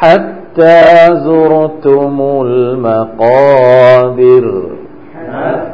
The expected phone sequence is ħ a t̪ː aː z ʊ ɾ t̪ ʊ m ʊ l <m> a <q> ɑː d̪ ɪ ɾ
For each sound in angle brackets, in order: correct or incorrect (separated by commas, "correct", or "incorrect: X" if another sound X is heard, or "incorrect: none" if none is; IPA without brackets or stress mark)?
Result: correct, correct